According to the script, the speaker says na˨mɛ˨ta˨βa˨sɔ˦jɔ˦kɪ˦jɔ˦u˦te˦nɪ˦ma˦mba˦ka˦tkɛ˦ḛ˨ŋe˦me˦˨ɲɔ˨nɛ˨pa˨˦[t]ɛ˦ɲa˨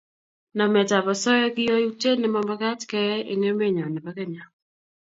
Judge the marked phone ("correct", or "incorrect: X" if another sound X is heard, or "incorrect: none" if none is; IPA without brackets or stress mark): incorrect: k